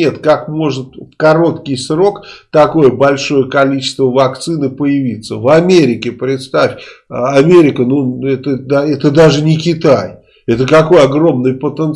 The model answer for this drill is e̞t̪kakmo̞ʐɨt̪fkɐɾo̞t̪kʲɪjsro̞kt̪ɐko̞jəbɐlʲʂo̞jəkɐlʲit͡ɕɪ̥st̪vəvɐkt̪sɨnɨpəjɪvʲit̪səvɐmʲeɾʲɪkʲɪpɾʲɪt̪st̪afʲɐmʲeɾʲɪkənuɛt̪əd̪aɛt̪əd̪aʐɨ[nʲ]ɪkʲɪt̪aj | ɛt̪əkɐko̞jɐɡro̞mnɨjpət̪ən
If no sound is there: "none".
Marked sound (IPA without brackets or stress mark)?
nʲ